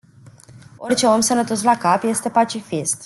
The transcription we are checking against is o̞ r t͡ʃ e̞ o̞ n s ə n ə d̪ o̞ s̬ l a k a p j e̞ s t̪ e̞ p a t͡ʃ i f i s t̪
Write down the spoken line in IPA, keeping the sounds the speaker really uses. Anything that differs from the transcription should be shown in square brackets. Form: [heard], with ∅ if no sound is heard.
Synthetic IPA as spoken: o̞ r t͡ʃ e̞ o̞ [m] s ə n ə [t̪] o̞ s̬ l a k a p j e̞ s t̪ e̞ p a t͡ʃ i f i s t̪